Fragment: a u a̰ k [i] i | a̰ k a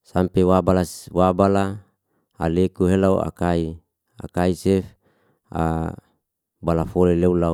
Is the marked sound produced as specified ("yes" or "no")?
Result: no